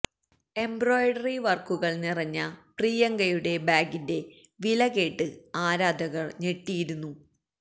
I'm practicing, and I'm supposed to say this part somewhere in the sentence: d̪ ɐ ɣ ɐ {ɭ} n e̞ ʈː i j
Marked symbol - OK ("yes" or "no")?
yes